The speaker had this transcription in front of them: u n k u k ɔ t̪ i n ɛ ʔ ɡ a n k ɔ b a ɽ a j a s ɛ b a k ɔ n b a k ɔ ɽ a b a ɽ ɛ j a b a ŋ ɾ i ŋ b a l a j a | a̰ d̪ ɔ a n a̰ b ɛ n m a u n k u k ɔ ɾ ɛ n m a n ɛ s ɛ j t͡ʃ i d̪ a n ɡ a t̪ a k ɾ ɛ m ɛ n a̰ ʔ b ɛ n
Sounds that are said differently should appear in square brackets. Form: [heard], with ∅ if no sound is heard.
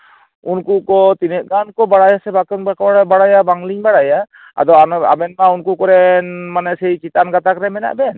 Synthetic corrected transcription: u n k u k ɔ t̪ i n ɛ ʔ ɡ a n k ɔ b a ɽ a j a s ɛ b a k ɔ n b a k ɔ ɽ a b a ɽ [a] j a b a ŋ [l] i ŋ b a [ɽ] a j a | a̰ d̪ ɔ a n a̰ b ɛ n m a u n k u k ɔ ɾ ɛ n m a n ɛ s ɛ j t͡ʃ i [t̪] a n ɡ a t̪ a k ɾ ɛ m ɛ n a̰ ʔ b ɛ n